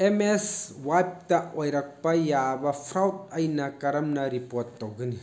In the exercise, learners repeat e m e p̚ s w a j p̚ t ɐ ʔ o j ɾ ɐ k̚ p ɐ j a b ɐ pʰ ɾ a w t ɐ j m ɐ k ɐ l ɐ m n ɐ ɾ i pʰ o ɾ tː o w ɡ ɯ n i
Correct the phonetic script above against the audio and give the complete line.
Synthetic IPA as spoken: e m e s w a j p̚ t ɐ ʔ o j ɾ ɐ k̚ p ɐ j a b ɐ pʰ ɾ a w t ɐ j n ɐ k ɐ ɾ ɐ m n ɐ ɾ i p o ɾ tː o w ɡ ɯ n i